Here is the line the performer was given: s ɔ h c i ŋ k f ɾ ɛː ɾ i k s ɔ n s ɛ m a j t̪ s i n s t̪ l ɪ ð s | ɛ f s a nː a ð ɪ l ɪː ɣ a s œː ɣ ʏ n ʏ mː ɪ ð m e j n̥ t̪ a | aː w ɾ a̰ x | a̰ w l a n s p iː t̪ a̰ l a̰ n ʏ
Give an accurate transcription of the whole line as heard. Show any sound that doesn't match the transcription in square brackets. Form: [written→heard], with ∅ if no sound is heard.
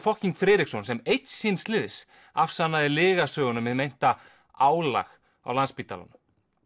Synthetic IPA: [s→f] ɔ h c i ŋ k f ɾ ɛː ɾ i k s ɔ n s ɛ m [a→e] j t̪ s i n s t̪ l ɪ ð s | [ɛ→a] f s a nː a ð ɪ l ɪː ɣ a s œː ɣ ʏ n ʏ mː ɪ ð m e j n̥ t̪ a | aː w [ɾ→l] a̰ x | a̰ w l a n s p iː t̪ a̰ l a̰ n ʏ

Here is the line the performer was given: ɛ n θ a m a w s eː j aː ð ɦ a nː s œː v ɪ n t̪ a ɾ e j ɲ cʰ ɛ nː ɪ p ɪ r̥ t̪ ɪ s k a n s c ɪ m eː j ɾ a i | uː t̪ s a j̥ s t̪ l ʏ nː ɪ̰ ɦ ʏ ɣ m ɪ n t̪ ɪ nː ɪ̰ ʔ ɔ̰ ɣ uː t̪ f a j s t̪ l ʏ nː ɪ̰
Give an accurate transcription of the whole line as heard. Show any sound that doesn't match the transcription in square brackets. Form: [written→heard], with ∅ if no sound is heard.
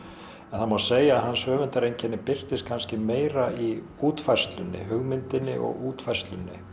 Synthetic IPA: ɛ n θ a m a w s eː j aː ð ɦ a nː s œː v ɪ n t̪ a ɾ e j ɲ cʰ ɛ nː ɪ p ɪ r̥ t̪ ɪ s [k→kʰ] a n s c ɪ m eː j ɾ a i | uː t̪ [s→f] a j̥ s t̪ l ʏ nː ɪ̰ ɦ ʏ ɣ m ɪ n t̪ ɪ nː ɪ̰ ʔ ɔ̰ ɣ uː t̪ f a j s t̪ l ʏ nː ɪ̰

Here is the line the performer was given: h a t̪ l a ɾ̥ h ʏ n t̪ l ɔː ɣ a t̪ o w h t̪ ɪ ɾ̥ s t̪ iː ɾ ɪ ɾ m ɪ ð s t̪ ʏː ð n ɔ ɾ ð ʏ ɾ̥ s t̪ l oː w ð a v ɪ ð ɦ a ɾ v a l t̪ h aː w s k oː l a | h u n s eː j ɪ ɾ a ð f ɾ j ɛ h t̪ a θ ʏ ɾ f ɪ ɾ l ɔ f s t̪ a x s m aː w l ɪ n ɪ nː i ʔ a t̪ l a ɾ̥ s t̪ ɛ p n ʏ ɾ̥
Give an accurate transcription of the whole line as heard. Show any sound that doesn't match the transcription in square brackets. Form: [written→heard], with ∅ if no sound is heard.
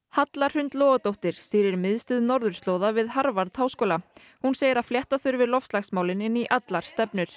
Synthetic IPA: h a t̪ l a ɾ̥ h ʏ n t̪ l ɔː ɣ a t̪ o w h t̪ ɪ ɾ̥ s t̪ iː ɾ ɪ ɾ m ɪ ð s t̪ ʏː ð n ɔ ɾ ð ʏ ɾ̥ s t̪ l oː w ð a v ɪ ð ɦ a ɾ v a [l→ɾ] t̪ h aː w s k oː l a | h u n s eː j ɪ ɾ a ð f [ɾ→l] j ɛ h t̪ a θ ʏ ɾ [f→v] ɪ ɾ l ɔ f s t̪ a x s m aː w l ɪ n ɪ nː i ʔ a t̪ l a ɾ̥ s t̪ ɛ p n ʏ ɾ̥

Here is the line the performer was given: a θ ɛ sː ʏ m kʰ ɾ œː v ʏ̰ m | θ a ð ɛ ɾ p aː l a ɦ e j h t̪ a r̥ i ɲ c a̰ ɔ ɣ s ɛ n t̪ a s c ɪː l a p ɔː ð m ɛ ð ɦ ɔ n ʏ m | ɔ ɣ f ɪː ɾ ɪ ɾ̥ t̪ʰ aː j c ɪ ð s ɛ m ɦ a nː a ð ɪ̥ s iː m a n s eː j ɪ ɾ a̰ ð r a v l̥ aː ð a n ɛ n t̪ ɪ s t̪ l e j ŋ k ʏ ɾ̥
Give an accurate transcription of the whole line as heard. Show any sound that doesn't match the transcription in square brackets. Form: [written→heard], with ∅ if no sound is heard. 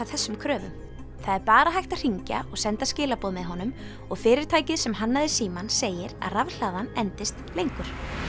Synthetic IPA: a θ ɛ sː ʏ m kʰ ɾ œː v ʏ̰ m | θ a ð ɛ ɾ p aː [l→ɾ] a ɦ [e→a] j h t̪ a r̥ i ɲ c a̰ ɔ ɣ s ɛ n t̪ a s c ɪː l a p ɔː ð m ɛ ð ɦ ɔ n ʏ m | ɔ ɣ f ɪː ɾ ɪ ɾ̥ t̪ʰ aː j c ɪ ð s ɛ m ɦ a nː a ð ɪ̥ s iː m a n s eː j ɪ ɾ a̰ ð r a v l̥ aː ð a n ɛ n t̪ ɪ s t̪ l e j ŋ k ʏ ɾ̥

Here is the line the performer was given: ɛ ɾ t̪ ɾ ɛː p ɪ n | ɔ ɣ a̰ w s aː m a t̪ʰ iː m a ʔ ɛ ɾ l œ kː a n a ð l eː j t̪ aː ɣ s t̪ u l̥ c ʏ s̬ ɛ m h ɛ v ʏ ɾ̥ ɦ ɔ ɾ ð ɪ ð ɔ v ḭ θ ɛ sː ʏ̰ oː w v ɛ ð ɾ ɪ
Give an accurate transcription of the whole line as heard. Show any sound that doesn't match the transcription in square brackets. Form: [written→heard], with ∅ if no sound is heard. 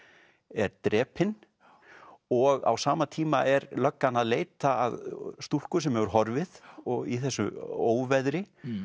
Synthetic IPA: ɛ ɾ t̪ ɾ ɛː p ɪ n | ɔ ɣ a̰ w s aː m a t̪ʰ iː m a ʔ ɛ ɾ l œ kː a n a ð l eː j t̪ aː [ɣ→ð] s t̪ u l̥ [c→k] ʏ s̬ ɛ m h ɛ v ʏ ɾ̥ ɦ ɔ ɾ [ð→v] ɪ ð ɔ [v→ɣ] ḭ θ ɛ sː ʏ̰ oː w v ɛ ð ɾ ɪ

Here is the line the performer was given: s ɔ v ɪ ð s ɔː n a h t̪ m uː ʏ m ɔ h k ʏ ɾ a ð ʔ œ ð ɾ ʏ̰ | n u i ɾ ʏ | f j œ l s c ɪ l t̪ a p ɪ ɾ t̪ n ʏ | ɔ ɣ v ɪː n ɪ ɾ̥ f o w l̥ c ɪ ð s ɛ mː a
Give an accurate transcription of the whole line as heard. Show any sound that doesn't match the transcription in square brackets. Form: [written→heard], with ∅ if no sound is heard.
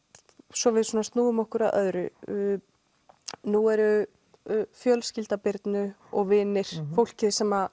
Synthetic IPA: s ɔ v ɪ ð s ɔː n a [h→s] t̪ [m→n] uː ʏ m ɔ h k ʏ ɾ a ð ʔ œ ð ɾ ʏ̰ | n u [i→ɛ] ɾ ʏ | f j œ l s c ɪ l t̪ a p ɪ ɾ t̪ n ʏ | ɔ ɣ v ɪː n ɪ ɾ̥ f o w l̥ c ɪ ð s ɛ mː a

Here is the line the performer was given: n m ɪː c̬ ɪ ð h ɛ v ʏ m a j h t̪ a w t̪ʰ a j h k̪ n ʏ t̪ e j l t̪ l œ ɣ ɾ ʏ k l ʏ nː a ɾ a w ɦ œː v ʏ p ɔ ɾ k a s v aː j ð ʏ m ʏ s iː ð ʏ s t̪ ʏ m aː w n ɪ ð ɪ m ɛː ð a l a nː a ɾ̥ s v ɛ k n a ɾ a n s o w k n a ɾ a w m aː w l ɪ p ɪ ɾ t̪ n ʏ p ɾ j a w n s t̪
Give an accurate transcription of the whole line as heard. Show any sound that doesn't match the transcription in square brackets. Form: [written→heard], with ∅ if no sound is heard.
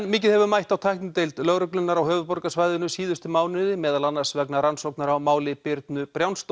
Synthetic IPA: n m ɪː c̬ ɪ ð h ɛ v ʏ m a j h t̪ a w t̪ʰ a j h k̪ n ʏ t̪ e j l t̪ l œ ɣ ɾ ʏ k l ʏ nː a ɾ a w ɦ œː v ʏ p ɔ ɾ k a s v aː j ð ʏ [m→n] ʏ s iː ð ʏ s t̪ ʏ m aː w n ɪ ð ɪ m ɛː ð a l a nː a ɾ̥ s v ɛ k n a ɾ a n s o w k n a ɾ a w m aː w l ɪ p ɪ ɾ t̪ n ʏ p ɾ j a w n s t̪

